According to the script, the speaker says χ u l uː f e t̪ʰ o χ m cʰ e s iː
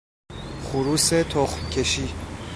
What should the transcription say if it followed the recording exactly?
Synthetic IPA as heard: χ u ɾ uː s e t̪ʰ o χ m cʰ e ʃ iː